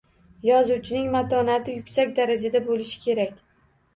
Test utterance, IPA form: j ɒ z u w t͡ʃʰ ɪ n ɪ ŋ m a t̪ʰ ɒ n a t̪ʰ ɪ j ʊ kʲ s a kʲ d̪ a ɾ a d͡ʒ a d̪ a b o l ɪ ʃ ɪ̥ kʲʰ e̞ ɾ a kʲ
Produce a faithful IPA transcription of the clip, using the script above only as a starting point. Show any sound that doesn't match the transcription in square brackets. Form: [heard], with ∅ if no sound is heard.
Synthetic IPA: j ɒ z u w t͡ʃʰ ɪ n ɪ ŋ m a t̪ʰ ɒ n a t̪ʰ ɪ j ʊ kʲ s a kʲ d̪ a ɾ a d͡ʒ a d̪ a b o l ɪ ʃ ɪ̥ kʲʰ e̞ ɾ a kʲ